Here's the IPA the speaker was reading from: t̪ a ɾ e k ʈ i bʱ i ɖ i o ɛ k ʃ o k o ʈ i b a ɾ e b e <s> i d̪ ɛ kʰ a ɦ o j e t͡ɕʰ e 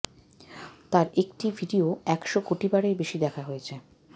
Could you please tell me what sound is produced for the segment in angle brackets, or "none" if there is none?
ʃ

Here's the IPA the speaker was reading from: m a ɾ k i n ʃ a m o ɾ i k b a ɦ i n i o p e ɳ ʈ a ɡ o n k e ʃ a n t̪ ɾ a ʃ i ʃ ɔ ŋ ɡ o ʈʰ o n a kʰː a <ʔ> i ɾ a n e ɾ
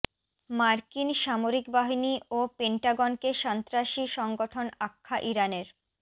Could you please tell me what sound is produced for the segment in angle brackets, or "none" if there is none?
ʔ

